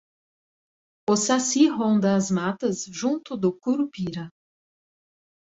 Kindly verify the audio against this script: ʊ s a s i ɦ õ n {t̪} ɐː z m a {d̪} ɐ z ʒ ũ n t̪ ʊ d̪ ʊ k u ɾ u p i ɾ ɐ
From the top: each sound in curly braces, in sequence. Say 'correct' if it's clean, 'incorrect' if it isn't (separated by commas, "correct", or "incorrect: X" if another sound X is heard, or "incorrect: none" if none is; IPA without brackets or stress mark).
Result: incorrect: d̪, incorrect: t̪